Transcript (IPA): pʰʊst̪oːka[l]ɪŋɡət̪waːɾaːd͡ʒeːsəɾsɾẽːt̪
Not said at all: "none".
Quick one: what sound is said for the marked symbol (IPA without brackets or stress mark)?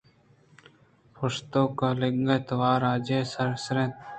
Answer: l